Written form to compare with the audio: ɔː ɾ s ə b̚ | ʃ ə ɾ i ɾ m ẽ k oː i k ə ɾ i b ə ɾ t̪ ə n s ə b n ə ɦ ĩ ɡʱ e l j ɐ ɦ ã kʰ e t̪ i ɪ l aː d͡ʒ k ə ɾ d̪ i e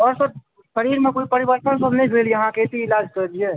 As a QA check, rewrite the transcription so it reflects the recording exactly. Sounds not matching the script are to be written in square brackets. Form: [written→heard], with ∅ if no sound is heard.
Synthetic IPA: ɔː ɾ s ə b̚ | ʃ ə ɾ i ɾ m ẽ k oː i [k→p] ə ɾ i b ə ɾ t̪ ə n s ə b n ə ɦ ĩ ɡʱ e l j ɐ ɦ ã [kʰ→k] e t̪ i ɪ l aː d͡ʒ k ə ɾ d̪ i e